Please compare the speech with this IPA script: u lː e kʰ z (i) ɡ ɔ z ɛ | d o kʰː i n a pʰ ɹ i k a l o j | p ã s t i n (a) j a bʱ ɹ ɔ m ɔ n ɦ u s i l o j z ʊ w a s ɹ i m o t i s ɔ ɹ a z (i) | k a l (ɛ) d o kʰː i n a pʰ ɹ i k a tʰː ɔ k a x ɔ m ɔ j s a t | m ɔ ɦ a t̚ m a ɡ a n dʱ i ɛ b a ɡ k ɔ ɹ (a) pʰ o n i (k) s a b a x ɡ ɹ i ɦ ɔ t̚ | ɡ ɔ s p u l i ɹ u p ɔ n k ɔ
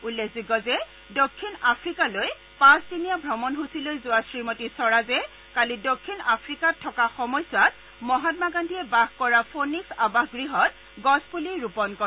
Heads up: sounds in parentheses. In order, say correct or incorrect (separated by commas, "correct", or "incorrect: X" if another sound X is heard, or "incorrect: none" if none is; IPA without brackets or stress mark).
correct, incorrect: i, incorrect: ɛ, incorrect: i, correct, correct